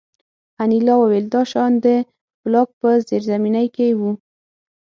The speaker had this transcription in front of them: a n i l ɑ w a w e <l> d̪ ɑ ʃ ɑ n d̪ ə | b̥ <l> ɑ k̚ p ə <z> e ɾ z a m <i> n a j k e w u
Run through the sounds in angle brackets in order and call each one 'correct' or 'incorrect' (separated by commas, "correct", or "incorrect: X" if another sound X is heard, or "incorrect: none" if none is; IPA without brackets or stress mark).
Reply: correct, correct, correct, correct